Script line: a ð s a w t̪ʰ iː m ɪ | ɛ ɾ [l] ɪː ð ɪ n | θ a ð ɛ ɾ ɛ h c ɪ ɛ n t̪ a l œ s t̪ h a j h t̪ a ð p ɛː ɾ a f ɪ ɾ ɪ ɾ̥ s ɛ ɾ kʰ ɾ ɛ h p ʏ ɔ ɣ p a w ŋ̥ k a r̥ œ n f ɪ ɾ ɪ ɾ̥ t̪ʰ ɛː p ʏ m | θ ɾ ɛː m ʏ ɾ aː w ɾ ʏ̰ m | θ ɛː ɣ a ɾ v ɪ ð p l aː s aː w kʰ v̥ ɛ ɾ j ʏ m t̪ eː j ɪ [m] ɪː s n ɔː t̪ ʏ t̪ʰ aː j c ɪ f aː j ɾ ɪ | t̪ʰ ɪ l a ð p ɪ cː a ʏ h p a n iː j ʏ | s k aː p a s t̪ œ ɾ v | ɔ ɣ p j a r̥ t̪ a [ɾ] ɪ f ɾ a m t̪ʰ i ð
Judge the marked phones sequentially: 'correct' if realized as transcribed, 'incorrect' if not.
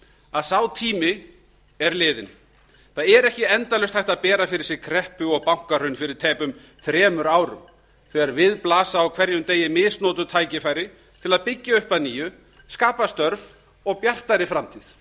correct, correct, correct

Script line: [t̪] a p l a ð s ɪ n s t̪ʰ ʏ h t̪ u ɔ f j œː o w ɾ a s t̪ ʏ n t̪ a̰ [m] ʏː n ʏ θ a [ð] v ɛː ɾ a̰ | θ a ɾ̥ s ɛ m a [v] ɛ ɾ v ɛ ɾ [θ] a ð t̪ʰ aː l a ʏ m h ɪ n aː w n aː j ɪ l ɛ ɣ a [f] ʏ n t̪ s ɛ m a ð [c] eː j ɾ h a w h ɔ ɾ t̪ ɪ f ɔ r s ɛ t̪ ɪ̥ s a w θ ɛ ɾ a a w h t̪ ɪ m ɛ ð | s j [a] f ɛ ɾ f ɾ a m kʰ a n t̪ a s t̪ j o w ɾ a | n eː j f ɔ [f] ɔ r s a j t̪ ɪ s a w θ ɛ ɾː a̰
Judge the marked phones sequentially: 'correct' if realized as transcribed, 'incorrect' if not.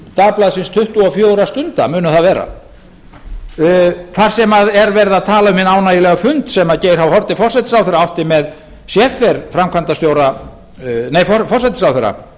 correct, correct, correct, incorrect, incorrect, correct, correct, incorrect, correct

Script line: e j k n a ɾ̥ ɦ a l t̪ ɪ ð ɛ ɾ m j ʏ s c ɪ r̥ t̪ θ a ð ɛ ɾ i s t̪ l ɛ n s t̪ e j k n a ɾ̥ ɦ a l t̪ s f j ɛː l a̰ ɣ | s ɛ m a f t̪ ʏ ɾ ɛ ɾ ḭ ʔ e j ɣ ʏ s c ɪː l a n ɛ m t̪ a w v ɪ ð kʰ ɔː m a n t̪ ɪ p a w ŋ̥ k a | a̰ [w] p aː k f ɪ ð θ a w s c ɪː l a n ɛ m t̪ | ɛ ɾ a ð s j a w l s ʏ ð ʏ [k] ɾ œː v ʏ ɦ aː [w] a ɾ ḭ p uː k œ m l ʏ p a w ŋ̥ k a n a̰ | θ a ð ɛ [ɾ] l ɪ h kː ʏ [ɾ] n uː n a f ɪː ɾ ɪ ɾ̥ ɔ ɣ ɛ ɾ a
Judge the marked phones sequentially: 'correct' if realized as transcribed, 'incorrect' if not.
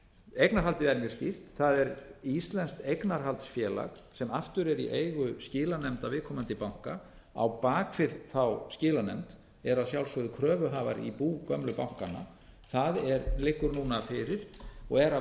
correct, incorrect, incorrect, correct, correct

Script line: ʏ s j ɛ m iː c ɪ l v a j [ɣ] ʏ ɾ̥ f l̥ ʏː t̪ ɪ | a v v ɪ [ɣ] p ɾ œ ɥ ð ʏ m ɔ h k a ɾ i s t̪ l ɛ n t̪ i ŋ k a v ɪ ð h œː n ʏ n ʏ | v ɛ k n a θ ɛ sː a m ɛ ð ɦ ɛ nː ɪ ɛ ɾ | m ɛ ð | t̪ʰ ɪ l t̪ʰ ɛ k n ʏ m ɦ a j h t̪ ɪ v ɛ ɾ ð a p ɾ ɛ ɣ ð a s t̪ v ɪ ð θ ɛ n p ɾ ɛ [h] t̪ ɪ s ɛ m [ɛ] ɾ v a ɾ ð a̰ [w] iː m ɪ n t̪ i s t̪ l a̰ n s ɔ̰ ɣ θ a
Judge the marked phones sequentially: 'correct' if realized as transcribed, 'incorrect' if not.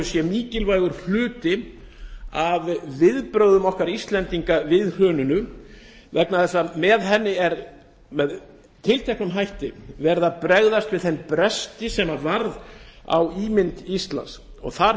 correct, incorrect, incorrect, incorrect, correct

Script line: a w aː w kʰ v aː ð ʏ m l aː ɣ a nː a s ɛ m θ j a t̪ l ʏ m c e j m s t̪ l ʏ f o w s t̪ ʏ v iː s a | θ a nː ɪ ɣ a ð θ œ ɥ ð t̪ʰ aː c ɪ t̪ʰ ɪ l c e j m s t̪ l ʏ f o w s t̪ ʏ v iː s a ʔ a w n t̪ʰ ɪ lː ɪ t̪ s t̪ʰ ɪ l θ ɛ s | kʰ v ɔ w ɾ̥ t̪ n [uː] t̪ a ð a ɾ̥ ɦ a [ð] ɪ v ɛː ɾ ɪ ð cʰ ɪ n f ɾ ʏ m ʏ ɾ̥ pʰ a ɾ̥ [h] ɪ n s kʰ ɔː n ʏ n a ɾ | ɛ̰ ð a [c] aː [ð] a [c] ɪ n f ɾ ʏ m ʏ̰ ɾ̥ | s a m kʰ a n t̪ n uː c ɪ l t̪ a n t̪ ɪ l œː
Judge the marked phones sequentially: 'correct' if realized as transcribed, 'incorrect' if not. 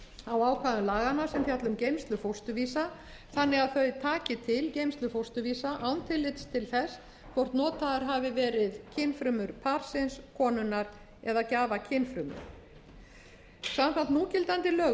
incorrect, incorrect, incorrect, correct, incorrect, incorrect

